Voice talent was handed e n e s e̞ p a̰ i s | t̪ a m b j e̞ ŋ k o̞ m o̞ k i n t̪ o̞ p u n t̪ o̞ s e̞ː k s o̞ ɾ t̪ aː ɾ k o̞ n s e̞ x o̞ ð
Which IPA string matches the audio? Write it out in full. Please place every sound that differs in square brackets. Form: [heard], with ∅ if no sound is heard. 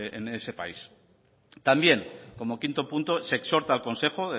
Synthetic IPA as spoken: e n e s e̞ p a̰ i s | t̪ a m b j e̞ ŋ k o̞ m o̞ k i n t̪ o̞ p u n t̪ o̞ s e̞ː k s o̞ ɾ t̪ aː [l] k o̞ n s e̞ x o̞ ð